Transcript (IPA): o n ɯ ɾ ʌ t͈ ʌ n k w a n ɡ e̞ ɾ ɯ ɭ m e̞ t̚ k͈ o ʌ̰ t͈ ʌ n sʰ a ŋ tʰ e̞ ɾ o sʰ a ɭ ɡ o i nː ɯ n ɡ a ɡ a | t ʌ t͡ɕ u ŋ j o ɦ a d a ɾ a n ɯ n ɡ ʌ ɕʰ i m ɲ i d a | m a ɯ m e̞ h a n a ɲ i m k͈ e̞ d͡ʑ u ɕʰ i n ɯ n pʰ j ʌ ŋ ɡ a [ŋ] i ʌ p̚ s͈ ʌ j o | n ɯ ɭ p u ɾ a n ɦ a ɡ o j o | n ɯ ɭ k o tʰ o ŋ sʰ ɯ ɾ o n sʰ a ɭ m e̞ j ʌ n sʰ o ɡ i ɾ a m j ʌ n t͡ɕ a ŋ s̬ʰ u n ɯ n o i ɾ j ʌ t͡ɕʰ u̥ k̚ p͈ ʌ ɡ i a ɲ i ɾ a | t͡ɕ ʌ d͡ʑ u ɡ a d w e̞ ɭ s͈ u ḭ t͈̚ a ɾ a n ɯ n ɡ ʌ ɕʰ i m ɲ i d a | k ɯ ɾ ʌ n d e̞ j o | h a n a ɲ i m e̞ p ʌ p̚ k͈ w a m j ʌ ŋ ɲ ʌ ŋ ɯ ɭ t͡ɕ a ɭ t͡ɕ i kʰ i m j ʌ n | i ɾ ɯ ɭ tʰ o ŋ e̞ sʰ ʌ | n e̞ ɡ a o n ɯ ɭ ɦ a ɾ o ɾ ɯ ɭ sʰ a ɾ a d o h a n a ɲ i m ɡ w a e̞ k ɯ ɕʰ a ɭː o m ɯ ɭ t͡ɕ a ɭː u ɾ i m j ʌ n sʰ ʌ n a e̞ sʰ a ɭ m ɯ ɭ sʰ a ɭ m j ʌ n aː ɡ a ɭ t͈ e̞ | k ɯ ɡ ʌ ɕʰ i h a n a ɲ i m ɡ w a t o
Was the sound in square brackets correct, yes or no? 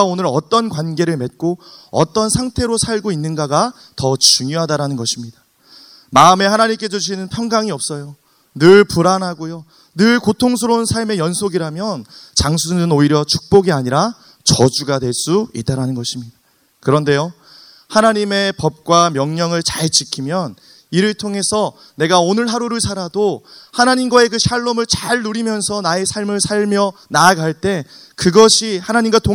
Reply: yes